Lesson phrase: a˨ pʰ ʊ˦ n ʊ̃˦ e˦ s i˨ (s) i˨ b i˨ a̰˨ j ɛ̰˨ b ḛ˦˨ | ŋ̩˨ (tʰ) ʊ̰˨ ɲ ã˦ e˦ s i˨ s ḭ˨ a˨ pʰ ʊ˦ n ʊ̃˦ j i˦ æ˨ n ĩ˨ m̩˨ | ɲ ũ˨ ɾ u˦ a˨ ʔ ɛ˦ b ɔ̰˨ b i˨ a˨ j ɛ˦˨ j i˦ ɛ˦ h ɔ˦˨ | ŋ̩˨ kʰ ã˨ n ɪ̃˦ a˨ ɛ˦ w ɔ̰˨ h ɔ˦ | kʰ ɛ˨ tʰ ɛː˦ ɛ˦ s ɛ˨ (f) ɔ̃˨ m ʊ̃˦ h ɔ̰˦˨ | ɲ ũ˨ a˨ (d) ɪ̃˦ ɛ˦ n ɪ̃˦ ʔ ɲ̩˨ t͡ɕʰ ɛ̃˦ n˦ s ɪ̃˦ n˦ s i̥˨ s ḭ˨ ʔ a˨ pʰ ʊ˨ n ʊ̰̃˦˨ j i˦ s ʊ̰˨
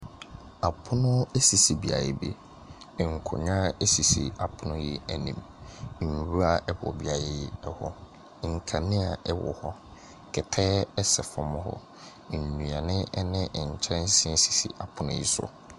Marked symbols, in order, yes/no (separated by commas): yes, no, yes, no